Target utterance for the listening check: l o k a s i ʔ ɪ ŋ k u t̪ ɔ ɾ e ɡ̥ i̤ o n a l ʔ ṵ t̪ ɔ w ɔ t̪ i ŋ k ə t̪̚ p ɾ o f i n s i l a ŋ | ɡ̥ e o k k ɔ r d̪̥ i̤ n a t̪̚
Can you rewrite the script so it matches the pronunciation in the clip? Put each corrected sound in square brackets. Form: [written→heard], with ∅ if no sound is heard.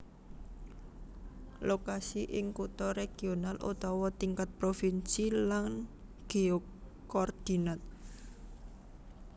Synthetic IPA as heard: l o k a s i ʔ ɪ ŋ k u t̪ ɔ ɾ e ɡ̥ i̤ o n a l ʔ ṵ t̪ ɔ w ɔ t̪ i ŋ k [ə→a] t̪̚ p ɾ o f i n s i l a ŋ | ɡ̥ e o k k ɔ r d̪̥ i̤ n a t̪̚